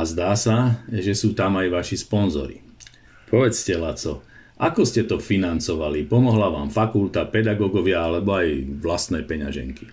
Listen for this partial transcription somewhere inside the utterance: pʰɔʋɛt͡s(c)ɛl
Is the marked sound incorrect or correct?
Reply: correct